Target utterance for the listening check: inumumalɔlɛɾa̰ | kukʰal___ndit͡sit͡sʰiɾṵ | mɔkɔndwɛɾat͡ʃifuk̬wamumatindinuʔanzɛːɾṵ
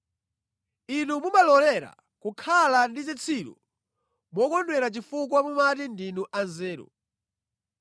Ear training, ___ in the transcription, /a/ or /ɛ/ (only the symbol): a